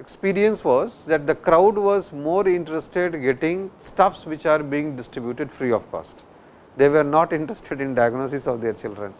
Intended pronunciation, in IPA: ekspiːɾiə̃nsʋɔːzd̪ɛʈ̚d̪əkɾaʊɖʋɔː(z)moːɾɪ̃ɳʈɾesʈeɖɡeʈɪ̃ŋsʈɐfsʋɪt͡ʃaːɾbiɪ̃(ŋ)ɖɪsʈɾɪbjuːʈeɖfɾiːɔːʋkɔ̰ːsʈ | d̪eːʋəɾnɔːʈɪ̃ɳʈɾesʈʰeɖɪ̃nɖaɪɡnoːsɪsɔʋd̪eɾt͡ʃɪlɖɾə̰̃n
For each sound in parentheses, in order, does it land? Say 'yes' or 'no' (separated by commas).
yes, yes